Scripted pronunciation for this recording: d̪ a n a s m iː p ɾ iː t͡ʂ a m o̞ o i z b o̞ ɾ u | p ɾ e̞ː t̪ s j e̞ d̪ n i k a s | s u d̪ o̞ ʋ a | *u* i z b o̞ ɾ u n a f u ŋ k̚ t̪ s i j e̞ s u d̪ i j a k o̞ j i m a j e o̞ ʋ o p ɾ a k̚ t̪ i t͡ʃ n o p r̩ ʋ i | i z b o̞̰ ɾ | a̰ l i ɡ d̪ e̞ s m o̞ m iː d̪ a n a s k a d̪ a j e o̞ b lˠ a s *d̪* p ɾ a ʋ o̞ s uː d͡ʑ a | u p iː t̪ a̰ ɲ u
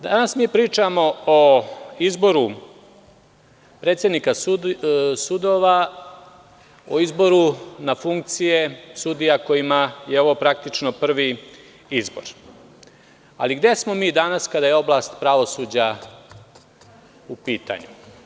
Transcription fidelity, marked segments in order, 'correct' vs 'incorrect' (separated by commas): incorrect, incorrect